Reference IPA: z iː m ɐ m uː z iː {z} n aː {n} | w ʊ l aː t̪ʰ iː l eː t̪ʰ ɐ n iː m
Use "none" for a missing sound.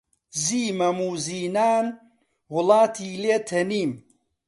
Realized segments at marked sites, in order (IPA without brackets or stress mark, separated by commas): none, n